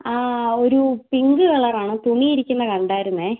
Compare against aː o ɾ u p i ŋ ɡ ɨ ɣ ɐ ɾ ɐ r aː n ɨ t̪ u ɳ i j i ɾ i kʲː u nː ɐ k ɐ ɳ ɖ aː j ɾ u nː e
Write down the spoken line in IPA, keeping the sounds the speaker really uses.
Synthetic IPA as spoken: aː o ɾ u p i ŋ ɡ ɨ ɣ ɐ ɭ ɐ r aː ɳ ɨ t̪ u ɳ i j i ɾ i kʲː u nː ɐ k ɐ ɳ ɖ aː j ɾ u nː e